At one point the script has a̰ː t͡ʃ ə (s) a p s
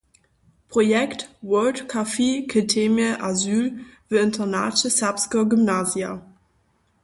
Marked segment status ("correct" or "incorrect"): correct